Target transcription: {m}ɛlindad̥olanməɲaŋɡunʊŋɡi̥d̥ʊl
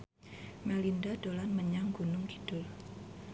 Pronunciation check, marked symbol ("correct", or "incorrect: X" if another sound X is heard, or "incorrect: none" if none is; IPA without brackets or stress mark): correct